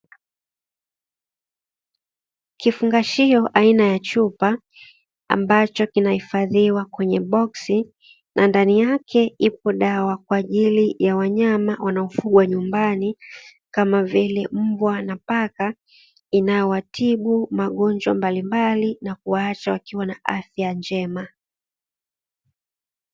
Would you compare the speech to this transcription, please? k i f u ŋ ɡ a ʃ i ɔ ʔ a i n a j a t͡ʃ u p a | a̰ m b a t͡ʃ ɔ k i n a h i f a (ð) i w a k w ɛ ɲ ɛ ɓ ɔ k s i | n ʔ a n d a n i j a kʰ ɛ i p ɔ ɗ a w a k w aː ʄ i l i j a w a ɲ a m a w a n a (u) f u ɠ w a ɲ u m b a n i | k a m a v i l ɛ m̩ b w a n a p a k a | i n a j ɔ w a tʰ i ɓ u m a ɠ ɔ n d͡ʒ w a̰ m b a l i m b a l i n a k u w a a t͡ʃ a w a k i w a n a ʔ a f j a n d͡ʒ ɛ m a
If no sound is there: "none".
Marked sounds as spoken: ð, ɔ

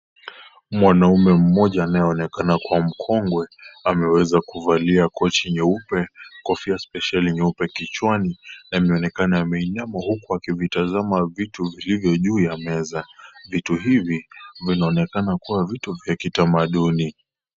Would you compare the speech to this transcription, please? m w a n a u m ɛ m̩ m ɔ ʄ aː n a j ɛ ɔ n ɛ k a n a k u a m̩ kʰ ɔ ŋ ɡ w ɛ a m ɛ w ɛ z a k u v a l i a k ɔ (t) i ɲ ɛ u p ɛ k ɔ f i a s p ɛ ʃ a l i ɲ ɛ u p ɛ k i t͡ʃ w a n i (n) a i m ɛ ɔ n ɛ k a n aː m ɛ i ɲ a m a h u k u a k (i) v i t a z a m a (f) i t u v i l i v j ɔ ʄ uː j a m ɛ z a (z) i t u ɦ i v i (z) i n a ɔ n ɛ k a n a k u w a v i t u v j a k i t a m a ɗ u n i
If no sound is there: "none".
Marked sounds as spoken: t͡ʃ, n, i, v, v, v

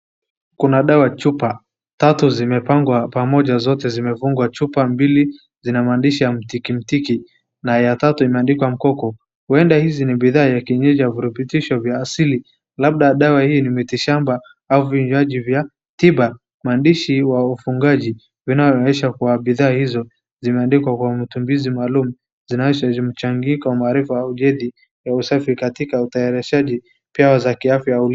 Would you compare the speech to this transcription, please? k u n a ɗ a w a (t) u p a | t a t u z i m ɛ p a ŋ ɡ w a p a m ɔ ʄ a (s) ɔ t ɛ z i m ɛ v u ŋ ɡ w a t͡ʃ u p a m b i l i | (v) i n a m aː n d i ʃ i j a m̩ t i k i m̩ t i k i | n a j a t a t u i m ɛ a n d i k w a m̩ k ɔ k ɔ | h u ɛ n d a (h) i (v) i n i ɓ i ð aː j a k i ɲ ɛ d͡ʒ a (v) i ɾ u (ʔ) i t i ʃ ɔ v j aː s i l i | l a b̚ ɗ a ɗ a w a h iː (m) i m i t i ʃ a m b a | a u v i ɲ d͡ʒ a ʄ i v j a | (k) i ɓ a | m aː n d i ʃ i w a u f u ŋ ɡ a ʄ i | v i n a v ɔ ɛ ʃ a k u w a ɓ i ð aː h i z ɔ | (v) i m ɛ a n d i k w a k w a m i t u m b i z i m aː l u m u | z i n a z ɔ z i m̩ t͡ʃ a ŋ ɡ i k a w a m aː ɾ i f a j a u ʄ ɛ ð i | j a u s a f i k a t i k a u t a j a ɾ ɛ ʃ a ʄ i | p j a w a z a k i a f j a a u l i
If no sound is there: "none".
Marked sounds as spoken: t͡ʃ, z, z, h, z, v, p, n, t, z

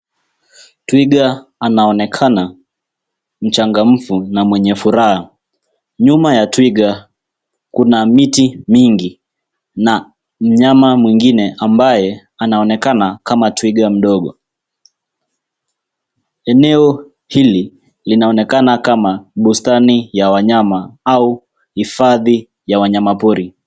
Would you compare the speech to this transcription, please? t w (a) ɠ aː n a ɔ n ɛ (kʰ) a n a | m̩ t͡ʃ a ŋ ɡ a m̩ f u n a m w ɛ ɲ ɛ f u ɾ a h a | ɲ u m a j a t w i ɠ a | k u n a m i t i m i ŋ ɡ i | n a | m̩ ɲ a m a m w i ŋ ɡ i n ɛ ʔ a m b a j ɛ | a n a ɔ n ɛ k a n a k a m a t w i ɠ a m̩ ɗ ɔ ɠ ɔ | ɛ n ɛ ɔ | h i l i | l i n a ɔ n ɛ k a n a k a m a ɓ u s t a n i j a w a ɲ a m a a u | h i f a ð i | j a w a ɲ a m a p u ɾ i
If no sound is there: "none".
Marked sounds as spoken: i, kʰ

